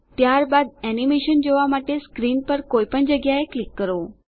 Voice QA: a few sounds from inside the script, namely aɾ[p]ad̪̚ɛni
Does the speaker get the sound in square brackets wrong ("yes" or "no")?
yes